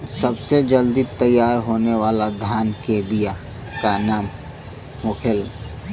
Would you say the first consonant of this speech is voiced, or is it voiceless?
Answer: voiceless